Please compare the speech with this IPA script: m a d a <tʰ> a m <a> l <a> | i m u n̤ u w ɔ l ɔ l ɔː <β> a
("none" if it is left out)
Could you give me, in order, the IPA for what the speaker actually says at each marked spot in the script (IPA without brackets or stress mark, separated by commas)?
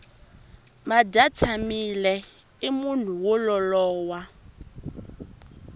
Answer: tʰ, i, ɛ, w